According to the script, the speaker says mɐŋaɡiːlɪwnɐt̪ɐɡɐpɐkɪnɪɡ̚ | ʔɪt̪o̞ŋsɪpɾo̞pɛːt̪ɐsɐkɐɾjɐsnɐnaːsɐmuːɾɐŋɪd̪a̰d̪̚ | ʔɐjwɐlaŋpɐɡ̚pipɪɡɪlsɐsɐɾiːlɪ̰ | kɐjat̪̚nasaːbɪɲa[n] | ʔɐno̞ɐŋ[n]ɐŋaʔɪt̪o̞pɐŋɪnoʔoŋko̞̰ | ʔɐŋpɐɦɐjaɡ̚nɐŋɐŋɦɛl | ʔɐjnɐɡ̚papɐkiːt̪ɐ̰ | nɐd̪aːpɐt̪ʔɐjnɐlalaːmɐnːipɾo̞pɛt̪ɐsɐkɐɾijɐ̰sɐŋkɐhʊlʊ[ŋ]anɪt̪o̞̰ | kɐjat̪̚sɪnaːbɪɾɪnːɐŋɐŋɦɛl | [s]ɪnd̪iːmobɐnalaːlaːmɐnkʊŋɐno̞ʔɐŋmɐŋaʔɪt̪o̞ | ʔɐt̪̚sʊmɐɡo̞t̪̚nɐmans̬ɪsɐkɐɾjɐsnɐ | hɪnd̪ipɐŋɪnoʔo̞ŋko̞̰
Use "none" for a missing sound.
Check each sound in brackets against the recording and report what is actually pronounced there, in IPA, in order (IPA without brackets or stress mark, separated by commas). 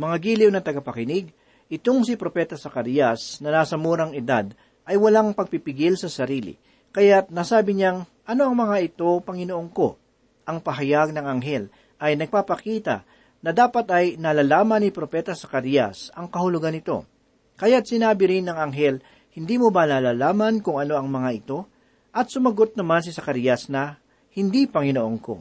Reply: ŋ, m, ɡ, h